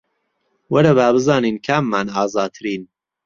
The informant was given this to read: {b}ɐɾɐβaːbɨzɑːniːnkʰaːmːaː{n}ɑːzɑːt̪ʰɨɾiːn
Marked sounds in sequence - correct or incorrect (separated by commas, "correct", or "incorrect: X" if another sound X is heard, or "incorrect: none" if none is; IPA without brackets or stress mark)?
incorrect: w, correct